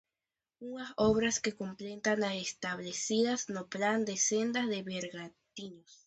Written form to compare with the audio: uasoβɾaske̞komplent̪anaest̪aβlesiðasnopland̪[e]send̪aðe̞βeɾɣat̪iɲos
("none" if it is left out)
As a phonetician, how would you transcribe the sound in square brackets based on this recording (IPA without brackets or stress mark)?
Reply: e